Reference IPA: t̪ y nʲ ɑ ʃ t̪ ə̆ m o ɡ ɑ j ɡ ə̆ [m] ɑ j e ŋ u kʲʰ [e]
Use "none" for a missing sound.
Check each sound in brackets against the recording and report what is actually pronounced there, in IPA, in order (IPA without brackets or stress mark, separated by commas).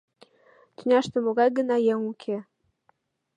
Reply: n, e